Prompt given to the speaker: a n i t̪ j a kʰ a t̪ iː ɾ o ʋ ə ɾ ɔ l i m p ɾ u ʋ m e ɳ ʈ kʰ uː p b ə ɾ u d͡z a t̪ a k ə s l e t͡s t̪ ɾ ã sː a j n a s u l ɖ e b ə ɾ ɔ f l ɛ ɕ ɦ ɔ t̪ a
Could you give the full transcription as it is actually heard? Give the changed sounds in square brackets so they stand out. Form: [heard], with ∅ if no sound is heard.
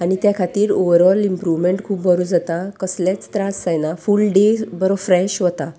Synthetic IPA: a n i t̪ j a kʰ a t̪ iː ɾ o ʋ ə ɾ ɔ l i m p ɾ u ʋ m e ɳ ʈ kʰ uː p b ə ɾ u d͡z a t̪ a k ə s l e t͡s t̪ ɾ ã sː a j n a [f] u l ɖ e b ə ɾ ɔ f [ɾ] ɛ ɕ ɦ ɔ t̪ a